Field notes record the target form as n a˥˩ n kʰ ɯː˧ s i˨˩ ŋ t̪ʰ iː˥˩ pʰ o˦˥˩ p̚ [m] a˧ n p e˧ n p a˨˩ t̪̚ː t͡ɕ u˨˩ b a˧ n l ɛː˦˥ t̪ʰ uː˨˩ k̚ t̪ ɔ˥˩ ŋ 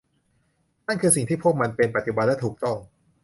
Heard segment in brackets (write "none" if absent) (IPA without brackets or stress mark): m